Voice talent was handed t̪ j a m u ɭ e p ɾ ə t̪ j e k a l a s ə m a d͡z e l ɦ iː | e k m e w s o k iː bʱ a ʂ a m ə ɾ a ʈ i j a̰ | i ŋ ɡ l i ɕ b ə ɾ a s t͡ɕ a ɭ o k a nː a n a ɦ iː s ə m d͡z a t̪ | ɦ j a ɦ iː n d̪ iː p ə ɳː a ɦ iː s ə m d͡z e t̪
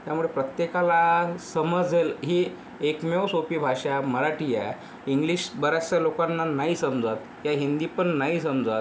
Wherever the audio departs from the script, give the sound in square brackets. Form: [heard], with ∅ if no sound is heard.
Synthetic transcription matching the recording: t̪ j a m u ɭ e p ɾ ə t̪ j e k a l a s ə m [ə] d͡z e l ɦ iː | e k m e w s o [p] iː bʱ a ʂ a m ə ɾ a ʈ i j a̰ | i ŋ ɡ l i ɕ b ə ɾ a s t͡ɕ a [l] o k a nː a n a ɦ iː s ə m d͡z a t̪ | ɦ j a ɦ [i] n d̪ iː p ə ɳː a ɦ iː s ə m d͡z [a] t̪